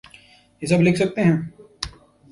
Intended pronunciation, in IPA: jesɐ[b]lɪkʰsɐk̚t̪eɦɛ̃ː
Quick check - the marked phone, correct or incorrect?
correct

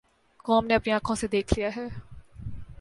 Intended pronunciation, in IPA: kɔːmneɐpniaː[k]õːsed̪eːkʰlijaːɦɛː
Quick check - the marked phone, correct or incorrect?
incorrect: kʰ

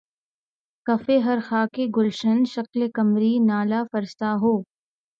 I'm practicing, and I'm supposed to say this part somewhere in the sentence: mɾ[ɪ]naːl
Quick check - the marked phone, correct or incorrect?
incorrect: i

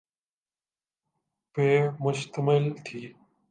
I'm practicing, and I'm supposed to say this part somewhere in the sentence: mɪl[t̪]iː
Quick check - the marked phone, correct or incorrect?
incorrect: t̪ʰ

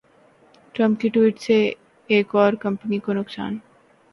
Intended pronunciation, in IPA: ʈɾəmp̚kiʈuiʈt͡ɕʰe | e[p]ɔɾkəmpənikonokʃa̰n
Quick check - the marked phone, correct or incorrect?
incorrect: k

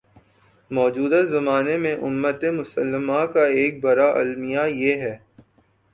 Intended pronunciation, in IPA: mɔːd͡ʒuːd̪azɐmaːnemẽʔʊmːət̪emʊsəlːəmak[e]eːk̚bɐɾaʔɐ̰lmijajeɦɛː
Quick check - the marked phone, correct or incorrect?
incorrect: a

